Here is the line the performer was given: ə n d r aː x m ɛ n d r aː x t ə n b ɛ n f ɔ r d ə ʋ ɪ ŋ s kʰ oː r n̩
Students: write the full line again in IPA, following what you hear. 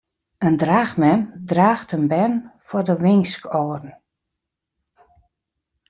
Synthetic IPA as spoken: ə n d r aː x m ɛ n d r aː x t ə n b ɛ n f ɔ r d ə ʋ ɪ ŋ s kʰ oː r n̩